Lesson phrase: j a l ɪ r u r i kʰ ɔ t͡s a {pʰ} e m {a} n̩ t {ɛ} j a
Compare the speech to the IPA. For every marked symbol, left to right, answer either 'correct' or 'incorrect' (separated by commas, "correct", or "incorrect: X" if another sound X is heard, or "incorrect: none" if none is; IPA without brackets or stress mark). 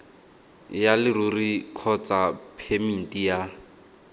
correct, incorrect: i, incorrect: i